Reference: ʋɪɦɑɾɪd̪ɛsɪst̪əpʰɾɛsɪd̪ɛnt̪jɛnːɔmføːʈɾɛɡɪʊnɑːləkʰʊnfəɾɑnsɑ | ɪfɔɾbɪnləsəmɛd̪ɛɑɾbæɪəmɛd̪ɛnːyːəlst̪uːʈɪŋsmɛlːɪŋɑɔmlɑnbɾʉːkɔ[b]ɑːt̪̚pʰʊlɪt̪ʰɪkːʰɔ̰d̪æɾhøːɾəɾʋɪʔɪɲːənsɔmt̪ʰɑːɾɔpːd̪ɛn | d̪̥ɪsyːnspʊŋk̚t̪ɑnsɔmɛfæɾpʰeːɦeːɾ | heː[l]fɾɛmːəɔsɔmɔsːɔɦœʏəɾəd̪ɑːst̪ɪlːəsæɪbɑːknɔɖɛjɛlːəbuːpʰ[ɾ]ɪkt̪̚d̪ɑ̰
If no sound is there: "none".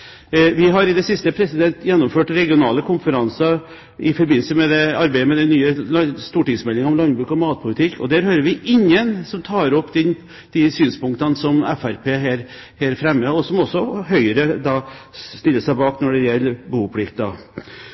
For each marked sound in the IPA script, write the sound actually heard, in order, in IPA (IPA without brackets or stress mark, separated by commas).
m, ɾ, l